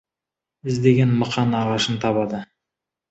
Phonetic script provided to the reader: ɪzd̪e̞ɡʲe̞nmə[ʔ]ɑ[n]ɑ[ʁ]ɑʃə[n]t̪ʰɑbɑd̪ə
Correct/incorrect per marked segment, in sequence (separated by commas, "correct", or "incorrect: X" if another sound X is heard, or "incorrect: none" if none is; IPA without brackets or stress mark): incorrect: q, correct, correct, correct